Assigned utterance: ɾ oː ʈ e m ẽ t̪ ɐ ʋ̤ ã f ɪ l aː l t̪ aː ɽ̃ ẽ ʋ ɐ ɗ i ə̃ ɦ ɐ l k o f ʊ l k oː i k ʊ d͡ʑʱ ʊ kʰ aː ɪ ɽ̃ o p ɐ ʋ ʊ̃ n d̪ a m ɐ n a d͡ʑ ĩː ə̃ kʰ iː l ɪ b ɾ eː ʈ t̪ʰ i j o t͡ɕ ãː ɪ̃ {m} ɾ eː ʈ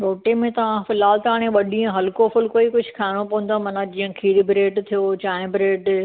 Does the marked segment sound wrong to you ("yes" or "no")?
yes